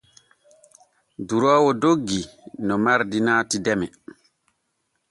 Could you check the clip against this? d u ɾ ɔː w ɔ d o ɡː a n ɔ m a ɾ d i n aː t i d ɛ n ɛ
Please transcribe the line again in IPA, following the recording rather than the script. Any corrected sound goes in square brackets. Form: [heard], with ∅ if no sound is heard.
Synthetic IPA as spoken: d u ɾ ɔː w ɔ d o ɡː [i] n ɔ m a ɾ d i n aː t i d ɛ [m] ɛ